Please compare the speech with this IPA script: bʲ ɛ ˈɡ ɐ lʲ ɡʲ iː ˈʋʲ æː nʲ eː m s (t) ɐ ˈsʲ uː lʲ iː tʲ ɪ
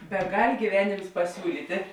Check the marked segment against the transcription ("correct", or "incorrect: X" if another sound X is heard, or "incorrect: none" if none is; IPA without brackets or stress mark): incorrect: p